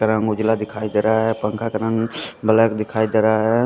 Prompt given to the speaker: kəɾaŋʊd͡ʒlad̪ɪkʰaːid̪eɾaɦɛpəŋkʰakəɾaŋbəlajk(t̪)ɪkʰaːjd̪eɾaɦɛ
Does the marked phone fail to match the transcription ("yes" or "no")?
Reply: yes